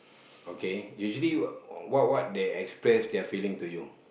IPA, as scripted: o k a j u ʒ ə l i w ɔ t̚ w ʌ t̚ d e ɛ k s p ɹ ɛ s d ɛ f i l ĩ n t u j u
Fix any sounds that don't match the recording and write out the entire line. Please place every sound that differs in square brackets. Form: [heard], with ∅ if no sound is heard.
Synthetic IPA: o k [e] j u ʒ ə l i w ɔ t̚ w [ɔ] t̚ d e ɛ k s p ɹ ɛ s d ɛ f i l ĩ [ŋ] t u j u